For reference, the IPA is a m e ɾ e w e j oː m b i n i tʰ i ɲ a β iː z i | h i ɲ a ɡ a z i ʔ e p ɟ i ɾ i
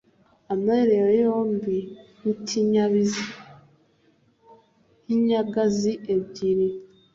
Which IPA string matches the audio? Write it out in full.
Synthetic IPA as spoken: a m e ɾ e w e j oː m b i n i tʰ i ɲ a β i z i | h i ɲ a ɡ a z i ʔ e b ɟ i ɾ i